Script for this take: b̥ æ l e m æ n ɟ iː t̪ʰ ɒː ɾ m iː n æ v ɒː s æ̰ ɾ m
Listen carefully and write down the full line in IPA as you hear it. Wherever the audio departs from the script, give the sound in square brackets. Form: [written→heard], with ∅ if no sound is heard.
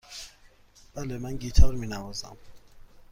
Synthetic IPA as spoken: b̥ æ l e m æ n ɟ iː t̪ʰ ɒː ɾ m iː n æ v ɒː [s→z] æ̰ [ɾ→∅] m